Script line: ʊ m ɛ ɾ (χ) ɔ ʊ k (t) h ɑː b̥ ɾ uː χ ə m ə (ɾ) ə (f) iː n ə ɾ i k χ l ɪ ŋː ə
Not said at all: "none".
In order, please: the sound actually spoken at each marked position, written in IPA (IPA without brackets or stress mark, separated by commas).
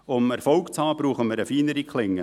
f, t͡s, ɾ, f